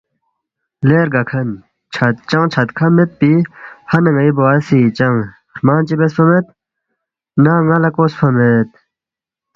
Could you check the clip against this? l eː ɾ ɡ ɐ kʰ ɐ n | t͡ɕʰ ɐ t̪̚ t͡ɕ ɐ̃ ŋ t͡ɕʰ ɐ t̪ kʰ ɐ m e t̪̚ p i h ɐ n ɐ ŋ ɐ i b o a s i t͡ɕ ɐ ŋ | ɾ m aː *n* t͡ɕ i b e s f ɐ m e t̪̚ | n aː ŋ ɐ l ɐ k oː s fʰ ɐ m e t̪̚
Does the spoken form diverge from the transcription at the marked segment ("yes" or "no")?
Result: no